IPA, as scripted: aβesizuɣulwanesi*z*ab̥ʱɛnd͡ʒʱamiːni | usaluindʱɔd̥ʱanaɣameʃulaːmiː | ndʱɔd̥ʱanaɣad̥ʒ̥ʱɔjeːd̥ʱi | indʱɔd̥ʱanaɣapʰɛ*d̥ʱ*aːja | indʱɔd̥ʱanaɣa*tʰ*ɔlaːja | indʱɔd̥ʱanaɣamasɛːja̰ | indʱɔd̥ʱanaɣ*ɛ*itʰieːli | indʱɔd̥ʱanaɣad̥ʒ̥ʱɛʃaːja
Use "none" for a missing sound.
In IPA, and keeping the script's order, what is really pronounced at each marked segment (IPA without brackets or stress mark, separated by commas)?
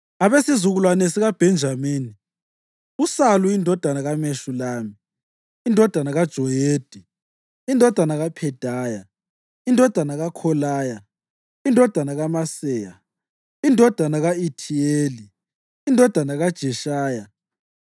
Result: ɣ, d̥ʱ, kʰ, a